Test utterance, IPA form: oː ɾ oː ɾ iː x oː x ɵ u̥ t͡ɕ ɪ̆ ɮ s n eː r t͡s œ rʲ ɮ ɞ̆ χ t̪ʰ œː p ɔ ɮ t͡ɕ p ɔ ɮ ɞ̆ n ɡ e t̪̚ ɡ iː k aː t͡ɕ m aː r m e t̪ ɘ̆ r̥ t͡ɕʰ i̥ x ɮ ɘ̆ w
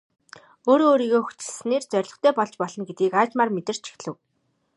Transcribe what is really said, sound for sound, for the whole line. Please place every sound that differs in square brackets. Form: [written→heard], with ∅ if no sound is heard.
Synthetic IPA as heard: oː ɾ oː ɾ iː [x→ɣ] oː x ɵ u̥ t͡ɕ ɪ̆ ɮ s n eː r t͡s œ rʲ ɮ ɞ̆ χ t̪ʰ œː p ɔ ɮ t͡ɕ p ɔ ɮ ɞ̆ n ɡ e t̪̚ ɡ iː k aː t͡ɕ m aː r m e t̪ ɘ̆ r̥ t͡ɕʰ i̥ x ɮ ɘ̆ w